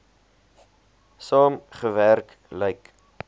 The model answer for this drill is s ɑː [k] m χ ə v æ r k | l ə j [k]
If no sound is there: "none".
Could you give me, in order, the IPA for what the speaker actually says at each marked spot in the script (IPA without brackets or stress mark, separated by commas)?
none, k